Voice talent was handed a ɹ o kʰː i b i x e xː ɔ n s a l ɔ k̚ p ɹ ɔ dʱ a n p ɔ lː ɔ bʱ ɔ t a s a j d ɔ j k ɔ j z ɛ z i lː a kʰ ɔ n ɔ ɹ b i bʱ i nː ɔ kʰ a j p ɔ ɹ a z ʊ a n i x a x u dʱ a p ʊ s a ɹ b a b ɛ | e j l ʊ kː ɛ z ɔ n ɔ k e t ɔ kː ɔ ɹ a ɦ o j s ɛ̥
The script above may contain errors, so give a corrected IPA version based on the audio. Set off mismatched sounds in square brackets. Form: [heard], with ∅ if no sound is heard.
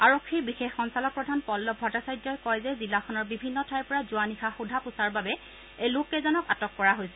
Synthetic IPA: a ɹ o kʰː i b i x e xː ɔ n s a l ɔ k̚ p ɹ ɔ dʱ a n p ɔ lː ɔ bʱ ɔ t a s a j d ɔ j k ɔ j z ɛ z i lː a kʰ ɔ n ɔ ɹ b i bʱ i nː ɔ [tʰ] a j p ɔ ɹ a z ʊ a n i x a x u dʱ a p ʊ s a ɹ b a b ɛ | e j l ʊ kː ɛ z ɔ n ɔ k [a] t ɔ kː ɔ ɹ a ɦ o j s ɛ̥